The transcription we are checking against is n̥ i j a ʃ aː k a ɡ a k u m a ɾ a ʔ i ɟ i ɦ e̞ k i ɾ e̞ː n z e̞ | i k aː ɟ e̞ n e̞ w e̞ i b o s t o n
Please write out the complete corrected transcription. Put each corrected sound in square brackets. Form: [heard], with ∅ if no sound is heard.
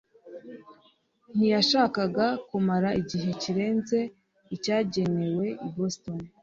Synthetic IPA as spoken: n̥ i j a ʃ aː k a ɡ a k u m a ɾ a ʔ i ɟ i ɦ e̞ [c] i ɾ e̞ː n z e̞ | i [c] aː ɟ e̞ n e̞ w e̞ i b o s t o n